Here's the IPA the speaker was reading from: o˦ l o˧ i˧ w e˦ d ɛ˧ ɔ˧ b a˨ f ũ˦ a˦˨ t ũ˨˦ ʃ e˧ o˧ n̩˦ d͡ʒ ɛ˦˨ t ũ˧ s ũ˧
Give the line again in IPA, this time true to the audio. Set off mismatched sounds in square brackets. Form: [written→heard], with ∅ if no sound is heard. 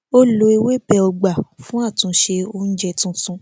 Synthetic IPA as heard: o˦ l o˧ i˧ w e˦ [d→b] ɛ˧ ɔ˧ [b→ɡ͡b] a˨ f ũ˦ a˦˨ t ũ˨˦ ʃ e˧ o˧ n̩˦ d͡ʒ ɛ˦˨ t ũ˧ s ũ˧